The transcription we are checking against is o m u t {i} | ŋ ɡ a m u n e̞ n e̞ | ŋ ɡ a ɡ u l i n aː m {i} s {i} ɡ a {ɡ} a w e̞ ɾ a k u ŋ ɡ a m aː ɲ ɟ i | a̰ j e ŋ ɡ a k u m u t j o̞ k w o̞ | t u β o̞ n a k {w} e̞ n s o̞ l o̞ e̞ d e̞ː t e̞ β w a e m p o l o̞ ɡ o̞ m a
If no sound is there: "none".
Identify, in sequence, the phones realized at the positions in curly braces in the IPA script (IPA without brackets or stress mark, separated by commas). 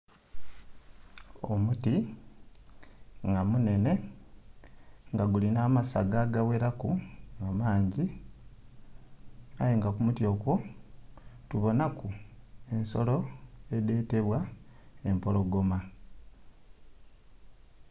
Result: i, a, a, ɡ, u